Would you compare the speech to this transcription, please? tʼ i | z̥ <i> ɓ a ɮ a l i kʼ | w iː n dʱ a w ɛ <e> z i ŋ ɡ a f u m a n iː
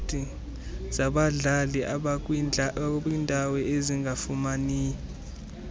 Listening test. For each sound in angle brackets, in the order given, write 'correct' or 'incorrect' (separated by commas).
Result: incorrect, correct